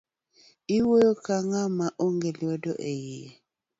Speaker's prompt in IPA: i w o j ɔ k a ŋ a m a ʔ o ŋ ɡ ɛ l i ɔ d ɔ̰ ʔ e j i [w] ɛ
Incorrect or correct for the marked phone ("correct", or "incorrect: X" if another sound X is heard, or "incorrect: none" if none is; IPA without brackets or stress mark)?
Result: incorrect: none